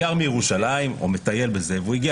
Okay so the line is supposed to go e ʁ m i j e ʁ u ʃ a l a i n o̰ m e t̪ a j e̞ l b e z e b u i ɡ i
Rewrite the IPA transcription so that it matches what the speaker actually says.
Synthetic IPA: a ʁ m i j e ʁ u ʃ a l a i m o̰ m e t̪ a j e̞ l b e z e v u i ɡ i